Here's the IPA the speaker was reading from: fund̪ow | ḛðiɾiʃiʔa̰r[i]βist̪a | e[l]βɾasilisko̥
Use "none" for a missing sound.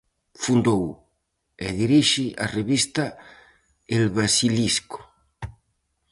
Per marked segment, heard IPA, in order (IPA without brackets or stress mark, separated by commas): e, l